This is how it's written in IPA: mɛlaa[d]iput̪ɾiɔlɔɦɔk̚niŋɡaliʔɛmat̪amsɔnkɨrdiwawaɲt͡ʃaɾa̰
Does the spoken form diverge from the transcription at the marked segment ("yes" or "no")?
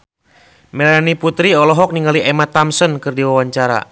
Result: yes